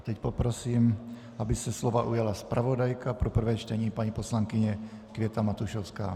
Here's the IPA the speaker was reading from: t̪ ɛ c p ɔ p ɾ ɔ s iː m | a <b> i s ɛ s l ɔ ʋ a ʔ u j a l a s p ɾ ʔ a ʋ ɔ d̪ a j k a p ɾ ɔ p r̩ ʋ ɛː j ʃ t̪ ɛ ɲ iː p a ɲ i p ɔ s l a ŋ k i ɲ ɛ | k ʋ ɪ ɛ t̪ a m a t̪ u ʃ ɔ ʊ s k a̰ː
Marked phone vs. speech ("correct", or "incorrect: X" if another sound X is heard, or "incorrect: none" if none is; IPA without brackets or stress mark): correct